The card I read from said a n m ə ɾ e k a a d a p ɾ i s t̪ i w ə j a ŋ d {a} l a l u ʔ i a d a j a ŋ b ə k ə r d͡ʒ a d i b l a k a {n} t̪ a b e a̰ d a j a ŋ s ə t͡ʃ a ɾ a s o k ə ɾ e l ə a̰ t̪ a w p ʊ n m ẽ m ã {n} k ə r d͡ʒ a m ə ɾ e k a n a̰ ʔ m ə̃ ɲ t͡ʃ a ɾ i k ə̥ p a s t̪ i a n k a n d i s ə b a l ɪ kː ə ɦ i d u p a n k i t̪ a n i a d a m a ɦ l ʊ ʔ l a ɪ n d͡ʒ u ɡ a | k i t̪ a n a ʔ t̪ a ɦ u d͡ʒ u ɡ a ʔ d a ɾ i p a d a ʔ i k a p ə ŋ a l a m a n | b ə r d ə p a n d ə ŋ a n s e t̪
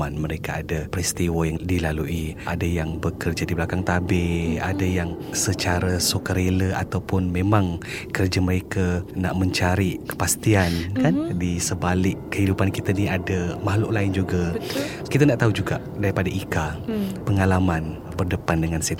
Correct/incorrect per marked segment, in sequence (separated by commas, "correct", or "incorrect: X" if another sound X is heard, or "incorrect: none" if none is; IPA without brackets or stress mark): incorrect: i, incorrect: ŋ, incorrect: ŋ